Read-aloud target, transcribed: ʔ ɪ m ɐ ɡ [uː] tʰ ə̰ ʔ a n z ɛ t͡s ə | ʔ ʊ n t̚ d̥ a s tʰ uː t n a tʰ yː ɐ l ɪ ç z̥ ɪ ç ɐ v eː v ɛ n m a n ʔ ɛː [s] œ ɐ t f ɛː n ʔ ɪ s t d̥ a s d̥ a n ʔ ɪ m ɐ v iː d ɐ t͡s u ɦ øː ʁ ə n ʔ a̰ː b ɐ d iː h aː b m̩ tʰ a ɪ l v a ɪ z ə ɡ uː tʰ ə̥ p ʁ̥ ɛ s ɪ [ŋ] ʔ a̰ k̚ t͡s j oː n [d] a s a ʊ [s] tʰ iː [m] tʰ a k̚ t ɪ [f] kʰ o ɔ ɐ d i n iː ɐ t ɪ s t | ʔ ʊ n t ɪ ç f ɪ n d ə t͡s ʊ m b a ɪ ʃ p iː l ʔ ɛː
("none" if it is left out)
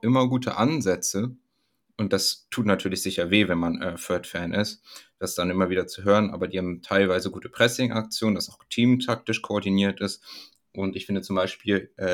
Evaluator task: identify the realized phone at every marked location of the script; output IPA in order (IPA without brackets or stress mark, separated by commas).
uː, f, ŋ, d, x, m, ʃ